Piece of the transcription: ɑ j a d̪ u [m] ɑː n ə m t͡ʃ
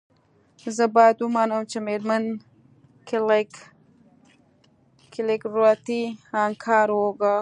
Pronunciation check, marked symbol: correct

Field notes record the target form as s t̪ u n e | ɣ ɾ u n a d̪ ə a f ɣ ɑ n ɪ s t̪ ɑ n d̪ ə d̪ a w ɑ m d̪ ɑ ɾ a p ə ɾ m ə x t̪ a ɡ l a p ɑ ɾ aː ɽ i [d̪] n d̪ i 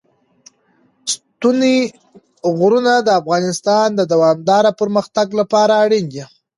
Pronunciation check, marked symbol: incorrect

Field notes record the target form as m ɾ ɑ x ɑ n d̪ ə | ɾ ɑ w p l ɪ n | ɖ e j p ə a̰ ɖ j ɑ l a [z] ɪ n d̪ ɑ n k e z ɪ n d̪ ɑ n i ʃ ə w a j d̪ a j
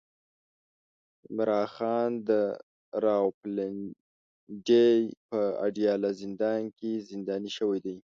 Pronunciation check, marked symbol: correct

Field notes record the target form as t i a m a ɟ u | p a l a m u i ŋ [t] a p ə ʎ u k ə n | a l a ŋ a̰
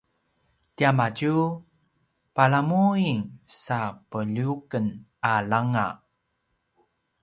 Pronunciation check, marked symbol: incorrect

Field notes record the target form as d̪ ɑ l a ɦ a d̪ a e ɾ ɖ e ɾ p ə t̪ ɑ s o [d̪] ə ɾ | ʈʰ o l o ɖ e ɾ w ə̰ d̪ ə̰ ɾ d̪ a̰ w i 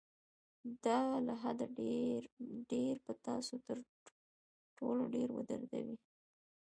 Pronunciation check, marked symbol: incorrect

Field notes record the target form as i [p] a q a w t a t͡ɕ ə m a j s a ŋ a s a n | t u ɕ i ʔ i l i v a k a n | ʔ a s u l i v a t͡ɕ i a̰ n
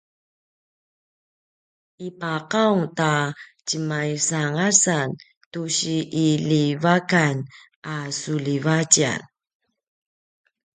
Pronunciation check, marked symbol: correct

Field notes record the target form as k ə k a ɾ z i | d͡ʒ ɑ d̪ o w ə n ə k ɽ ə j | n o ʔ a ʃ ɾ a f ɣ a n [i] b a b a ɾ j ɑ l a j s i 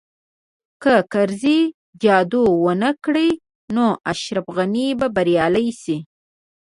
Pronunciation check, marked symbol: correct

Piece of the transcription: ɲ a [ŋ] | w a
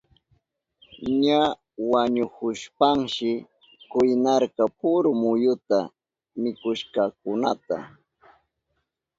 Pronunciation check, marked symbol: incorrect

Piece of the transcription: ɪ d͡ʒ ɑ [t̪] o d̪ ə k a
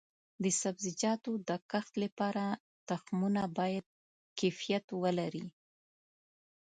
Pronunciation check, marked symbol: correct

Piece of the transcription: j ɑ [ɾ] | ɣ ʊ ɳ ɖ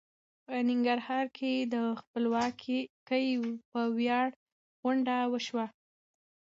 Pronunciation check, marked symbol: incorrect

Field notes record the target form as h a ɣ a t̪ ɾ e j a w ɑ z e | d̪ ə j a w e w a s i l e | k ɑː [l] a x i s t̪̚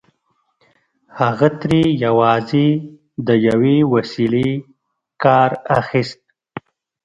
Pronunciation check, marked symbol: incorrect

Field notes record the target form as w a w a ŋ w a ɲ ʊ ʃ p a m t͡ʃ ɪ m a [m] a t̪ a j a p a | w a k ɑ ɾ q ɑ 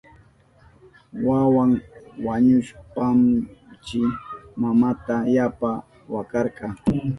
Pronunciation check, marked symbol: correct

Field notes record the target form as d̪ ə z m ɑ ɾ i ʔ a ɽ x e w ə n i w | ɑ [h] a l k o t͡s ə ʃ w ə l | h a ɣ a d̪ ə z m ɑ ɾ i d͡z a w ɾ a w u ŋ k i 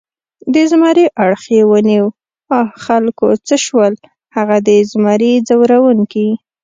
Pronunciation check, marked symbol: incorrect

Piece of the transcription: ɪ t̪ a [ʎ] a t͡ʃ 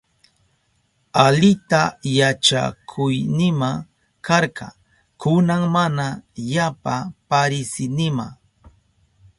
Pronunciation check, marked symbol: incorrect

